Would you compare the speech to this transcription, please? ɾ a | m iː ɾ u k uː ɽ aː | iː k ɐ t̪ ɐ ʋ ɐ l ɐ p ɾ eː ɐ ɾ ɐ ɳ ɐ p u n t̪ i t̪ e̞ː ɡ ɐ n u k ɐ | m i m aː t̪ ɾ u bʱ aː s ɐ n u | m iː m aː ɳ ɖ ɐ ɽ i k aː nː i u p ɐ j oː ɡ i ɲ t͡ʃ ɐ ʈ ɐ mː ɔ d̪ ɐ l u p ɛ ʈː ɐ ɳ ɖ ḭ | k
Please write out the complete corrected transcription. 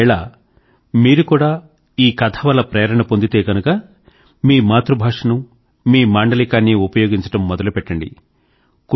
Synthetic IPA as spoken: ɭ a | m iː ɾ u k uː ɽ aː | iː k ɐ t̪ʰ ɐ ʋ ɐ l ɐ p ɾ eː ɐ ɾ ɐ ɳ ɐ p o n d̪ i t̪ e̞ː ɡ ɐ n u k ɐ | m iː m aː t̪ ɾ u bʱ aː ʂ ɐ n u | m iː m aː ɳ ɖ ɐ l i k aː nː i u p ɐ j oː ɡ i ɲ t͡ʃ ɐ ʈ ɐ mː ɔ d̪ ɐ l u p ɛ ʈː ɐ ɳ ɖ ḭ | k